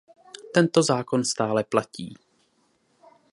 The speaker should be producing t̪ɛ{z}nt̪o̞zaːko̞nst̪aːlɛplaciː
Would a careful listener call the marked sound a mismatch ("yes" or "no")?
yes